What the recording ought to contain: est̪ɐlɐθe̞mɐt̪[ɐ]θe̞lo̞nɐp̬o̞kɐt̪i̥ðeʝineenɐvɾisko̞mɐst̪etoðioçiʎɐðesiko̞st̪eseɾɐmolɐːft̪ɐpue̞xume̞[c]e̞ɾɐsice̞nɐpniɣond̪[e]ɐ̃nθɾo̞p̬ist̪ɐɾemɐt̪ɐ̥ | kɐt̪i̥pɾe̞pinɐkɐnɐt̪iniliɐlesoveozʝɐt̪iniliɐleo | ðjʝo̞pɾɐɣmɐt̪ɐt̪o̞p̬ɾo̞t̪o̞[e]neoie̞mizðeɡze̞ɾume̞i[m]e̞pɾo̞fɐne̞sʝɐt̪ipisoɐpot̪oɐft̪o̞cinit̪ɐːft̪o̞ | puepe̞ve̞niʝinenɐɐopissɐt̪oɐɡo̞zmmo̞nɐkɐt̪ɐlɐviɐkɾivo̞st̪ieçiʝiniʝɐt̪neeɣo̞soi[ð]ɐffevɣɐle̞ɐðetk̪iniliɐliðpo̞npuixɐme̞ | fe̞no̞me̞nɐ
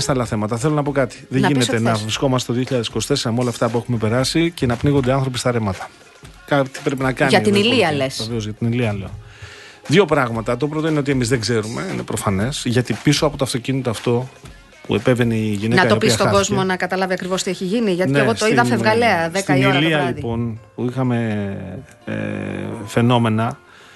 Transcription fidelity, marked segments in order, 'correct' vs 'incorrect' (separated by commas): correct, incorrect, correct, incorrect, incorrect, correct